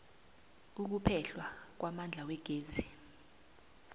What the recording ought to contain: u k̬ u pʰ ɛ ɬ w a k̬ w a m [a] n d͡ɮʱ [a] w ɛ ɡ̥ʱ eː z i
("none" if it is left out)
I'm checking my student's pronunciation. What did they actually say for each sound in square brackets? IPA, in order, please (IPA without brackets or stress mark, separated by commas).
a, a